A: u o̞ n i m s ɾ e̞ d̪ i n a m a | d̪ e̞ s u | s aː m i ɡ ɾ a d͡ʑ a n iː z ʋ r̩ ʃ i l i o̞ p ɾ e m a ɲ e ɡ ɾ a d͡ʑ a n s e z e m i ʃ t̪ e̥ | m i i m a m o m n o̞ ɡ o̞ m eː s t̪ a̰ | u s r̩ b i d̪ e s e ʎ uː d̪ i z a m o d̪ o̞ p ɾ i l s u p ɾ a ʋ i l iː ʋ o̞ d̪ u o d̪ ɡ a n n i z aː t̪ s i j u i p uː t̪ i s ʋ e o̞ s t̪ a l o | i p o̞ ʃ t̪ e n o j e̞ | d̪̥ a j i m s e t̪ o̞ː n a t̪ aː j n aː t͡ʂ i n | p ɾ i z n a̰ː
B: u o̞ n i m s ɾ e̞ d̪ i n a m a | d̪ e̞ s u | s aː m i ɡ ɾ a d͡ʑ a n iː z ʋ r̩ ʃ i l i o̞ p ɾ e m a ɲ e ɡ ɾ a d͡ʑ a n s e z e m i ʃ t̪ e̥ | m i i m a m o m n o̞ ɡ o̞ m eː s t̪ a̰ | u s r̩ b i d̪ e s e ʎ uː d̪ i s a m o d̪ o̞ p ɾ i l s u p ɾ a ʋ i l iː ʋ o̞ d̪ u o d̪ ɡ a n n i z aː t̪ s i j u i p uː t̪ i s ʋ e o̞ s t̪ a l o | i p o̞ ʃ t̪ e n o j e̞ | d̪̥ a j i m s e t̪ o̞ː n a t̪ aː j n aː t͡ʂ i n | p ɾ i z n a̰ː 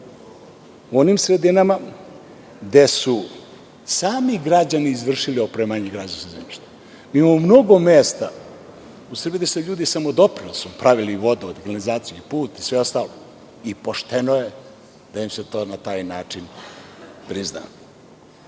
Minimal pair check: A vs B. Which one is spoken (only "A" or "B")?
B